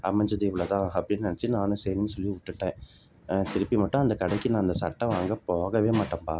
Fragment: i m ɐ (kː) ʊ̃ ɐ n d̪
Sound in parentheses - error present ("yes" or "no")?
yes